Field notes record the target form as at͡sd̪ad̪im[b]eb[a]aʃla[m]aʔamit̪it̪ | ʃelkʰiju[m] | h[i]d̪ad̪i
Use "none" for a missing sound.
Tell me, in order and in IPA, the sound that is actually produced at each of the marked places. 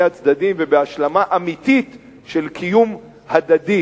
v, e, m, m, a

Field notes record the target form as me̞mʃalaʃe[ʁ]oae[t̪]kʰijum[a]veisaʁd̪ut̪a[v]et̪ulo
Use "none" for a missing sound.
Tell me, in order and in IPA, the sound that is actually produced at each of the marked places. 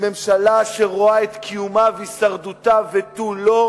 ʁ, t̪, a, v

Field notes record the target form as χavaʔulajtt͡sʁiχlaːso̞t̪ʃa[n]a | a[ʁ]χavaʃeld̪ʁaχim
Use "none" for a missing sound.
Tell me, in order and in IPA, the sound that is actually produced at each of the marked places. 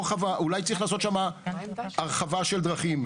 m, ʁ

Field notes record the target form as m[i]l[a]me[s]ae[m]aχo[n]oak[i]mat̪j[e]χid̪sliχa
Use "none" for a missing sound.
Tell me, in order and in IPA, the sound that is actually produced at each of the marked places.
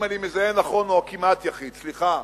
a, i, z, n, n, i, a

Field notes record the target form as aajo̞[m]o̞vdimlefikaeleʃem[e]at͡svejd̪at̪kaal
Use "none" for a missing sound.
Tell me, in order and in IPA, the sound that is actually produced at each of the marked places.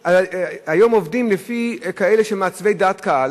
m, e

